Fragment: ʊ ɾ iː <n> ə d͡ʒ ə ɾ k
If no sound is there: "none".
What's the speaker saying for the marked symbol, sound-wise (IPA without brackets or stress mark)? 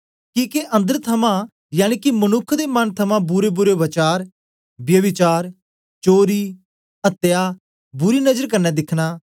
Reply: n